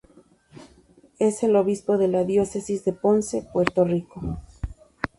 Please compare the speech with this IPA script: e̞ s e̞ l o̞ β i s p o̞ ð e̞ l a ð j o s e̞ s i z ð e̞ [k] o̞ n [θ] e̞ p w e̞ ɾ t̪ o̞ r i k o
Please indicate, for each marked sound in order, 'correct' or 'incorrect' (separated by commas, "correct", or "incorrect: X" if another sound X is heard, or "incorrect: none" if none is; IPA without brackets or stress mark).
incorrect: p, incorrect: s